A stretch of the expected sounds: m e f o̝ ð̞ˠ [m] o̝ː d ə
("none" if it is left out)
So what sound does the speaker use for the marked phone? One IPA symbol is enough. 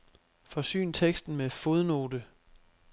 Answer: n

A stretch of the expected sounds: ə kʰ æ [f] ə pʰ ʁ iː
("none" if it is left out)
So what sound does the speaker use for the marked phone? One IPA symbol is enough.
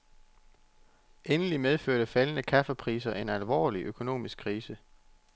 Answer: f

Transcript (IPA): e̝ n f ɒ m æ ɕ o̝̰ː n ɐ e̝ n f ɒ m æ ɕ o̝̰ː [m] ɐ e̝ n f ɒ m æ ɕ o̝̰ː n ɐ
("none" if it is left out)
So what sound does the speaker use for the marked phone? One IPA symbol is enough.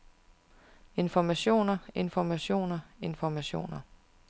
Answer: n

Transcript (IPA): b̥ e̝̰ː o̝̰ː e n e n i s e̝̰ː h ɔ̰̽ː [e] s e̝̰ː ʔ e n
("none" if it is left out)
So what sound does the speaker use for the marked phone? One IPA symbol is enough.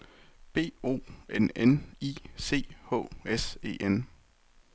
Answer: e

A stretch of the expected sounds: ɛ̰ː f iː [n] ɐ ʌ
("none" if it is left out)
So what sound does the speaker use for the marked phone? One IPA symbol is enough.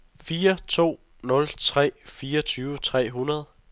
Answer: none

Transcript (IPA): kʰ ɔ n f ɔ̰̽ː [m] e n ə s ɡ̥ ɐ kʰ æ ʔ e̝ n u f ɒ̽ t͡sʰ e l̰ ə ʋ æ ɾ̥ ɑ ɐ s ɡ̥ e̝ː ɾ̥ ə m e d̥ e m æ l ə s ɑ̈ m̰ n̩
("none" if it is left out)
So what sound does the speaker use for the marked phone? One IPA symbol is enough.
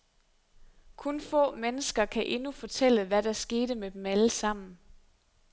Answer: m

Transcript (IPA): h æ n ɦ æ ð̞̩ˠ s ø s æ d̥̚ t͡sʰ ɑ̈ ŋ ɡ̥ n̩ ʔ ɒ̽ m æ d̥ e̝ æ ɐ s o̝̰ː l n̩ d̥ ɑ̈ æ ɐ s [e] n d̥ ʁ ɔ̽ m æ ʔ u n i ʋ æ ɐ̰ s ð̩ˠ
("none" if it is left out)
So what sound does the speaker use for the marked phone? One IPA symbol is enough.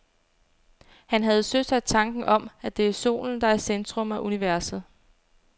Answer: e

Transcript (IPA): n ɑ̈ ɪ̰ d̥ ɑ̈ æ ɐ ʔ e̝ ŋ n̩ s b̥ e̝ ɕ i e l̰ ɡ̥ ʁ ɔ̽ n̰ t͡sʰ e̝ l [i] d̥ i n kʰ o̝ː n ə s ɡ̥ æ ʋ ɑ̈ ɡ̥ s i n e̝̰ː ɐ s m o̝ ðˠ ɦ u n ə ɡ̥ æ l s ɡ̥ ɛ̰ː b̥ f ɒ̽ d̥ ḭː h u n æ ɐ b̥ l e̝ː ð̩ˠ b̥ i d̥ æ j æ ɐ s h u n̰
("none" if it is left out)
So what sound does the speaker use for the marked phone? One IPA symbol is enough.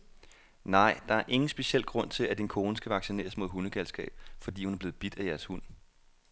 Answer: æ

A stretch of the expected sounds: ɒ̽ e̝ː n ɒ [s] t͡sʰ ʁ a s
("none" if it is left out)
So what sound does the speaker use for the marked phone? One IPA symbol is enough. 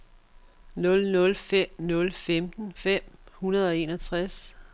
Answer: none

